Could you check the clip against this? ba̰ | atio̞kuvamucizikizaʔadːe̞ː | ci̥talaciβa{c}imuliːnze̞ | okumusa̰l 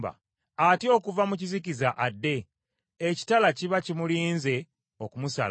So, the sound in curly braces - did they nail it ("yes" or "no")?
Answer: yes